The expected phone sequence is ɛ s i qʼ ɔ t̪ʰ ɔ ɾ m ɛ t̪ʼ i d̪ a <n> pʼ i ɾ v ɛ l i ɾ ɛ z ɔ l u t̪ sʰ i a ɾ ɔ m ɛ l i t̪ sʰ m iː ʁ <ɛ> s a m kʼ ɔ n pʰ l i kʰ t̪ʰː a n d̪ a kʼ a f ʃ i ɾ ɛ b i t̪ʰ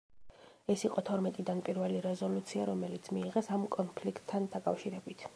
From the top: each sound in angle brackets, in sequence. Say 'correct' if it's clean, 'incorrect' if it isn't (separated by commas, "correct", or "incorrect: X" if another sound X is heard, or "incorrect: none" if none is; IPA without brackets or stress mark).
correct, correct